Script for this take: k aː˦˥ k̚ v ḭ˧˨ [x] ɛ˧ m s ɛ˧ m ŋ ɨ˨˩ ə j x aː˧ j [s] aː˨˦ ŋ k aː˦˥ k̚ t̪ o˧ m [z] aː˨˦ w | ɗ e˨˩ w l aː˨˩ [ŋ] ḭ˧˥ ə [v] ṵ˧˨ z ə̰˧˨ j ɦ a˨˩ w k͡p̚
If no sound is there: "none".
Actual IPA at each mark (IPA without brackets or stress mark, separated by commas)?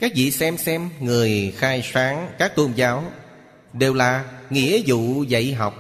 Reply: s, s, z, ŋ, z